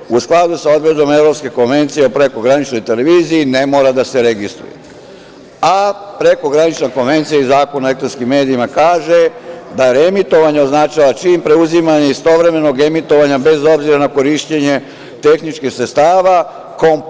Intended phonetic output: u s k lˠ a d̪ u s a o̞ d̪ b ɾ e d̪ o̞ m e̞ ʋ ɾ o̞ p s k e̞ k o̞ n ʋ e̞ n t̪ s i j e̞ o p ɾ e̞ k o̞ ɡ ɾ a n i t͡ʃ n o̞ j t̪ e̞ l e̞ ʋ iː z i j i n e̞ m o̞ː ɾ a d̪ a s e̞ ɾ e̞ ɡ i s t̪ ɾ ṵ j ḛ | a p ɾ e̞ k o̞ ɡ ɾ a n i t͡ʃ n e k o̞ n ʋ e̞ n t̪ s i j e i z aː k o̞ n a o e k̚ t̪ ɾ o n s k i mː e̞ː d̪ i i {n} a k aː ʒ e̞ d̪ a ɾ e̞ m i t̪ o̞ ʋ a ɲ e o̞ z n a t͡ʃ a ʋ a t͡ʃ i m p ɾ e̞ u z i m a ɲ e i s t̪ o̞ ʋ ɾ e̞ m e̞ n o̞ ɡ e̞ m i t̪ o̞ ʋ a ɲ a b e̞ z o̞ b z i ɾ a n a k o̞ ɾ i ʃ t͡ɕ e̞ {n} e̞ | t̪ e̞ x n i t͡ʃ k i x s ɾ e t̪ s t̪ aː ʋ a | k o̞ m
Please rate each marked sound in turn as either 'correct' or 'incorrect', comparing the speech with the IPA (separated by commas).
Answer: incorrect, incorrect